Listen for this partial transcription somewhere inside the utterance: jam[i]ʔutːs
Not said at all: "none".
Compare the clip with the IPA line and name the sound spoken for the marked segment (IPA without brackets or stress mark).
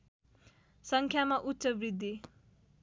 a